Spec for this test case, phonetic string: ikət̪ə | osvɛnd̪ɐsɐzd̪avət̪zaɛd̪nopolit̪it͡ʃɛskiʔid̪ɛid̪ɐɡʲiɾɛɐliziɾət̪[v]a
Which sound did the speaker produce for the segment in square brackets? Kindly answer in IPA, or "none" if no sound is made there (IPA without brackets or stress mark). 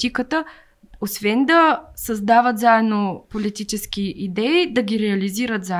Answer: z